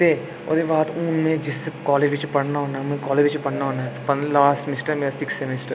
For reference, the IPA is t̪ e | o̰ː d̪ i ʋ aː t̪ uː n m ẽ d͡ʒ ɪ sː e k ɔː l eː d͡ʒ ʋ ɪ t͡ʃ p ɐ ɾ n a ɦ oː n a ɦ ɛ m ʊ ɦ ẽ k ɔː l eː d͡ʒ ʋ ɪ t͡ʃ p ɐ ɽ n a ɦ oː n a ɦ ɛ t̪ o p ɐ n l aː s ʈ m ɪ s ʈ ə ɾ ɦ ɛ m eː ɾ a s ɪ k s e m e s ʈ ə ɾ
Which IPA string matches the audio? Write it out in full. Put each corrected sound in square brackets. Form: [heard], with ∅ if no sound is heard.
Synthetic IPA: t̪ e | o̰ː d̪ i ʋ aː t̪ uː n m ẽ d͡ʒ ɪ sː e k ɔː l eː d͡ʒ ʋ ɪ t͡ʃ p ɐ [ɽ] n a ɦ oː n a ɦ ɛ m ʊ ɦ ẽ k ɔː l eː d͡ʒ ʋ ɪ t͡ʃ p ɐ ɽ n a ɦ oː n a ɦ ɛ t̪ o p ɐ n l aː s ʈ m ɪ s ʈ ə ɾ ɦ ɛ m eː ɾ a s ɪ k s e m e s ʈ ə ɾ